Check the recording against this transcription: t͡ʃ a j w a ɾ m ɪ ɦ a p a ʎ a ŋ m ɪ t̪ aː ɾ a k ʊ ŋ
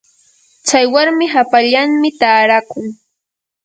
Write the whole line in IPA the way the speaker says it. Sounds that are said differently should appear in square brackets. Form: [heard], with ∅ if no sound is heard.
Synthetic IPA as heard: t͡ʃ a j w a ɾ m ɪ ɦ a p a ʎ a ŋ m ɪ t̪ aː ɾ a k ʊ ŋ